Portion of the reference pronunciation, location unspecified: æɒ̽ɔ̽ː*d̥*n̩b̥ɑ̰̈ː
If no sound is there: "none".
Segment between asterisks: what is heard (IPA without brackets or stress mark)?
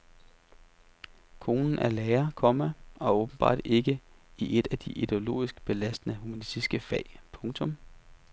b̥